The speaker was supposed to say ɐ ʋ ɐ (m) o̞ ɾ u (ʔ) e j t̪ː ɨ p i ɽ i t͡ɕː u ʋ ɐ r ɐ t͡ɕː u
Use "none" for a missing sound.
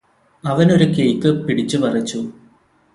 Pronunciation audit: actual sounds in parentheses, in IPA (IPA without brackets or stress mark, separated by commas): n, k